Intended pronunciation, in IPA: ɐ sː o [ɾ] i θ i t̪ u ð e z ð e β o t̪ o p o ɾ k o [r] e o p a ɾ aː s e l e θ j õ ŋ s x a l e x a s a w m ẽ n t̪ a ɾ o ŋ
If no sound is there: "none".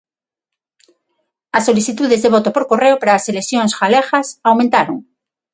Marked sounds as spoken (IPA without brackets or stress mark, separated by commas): l, r